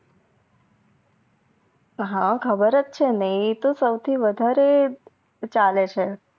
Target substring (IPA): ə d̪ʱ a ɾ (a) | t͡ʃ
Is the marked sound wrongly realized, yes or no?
yes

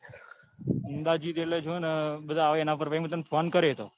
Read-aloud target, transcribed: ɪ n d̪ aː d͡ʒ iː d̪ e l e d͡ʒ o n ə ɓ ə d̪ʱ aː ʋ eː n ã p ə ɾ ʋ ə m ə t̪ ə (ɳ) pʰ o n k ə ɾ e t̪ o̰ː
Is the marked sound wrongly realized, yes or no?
yes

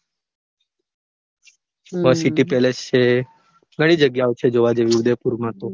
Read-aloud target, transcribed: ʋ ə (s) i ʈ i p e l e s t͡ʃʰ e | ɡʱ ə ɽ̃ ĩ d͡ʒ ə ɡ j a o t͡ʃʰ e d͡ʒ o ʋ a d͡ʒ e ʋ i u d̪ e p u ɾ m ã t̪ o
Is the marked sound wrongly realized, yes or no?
no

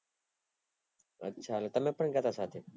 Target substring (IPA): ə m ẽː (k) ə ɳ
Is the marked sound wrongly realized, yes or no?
yes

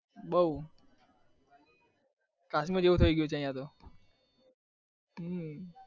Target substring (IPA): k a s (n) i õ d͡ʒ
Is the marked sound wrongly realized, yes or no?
yes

